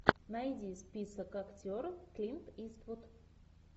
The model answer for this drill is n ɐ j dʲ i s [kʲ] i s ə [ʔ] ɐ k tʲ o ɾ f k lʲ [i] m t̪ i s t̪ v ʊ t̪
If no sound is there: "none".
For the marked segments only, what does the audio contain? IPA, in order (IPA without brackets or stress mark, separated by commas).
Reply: pʲ, k, i